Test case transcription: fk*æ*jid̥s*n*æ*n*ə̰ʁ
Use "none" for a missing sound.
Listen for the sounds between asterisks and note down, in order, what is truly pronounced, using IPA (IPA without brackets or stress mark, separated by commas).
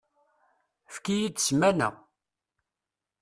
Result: i, m, n